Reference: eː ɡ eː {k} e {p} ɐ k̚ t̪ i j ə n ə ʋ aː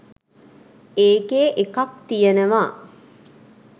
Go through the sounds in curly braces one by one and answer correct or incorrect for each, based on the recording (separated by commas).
incorrect, incorrect